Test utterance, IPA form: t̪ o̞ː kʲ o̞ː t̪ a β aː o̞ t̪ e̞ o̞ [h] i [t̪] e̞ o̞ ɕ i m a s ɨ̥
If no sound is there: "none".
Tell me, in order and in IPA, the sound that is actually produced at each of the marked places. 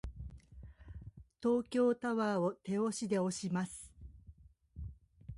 ɕ, d̪

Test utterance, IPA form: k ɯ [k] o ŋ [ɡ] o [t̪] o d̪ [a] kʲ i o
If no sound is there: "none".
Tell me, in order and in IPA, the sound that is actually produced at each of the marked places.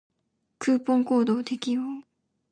p, k, d̪, e

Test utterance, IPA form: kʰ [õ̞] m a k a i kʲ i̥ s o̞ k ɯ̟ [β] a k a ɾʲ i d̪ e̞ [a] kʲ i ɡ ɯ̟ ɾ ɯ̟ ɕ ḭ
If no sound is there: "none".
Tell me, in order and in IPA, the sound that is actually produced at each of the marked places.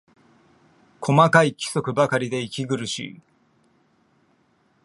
o̞, b, i

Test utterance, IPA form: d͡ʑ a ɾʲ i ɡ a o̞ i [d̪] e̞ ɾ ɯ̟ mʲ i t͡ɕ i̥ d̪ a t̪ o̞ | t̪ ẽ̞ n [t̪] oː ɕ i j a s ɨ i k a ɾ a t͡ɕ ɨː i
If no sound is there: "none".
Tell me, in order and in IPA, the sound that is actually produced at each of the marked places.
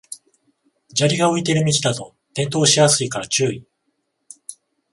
t̪, t̪

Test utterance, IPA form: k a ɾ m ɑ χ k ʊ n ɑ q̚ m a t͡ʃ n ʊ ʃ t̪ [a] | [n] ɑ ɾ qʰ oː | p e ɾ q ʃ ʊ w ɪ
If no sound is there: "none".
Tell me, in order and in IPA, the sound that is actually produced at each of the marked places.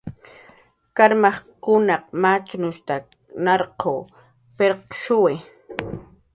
a, n

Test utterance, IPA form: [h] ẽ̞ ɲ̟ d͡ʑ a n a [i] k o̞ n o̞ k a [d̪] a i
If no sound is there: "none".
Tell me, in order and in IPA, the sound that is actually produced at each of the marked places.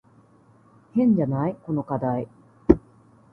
h, i, d̪

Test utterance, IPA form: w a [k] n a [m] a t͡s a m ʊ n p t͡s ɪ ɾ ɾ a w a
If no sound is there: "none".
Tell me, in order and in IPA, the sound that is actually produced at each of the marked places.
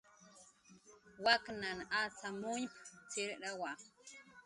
k, n

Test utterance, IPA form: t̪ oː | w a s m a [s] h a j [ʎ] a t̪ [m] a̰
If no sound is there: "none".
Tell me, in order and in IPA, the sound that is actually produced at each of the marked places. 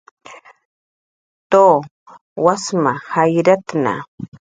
none, ɾ, n

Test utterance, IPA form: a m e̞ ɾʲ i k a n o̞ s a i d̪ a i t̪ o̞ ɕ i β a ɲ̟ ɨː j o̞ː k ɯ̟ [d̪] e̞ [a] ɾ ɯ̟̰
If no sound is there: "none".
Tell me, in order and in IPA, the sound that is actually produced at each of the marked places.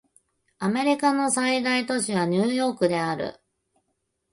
d̪, a

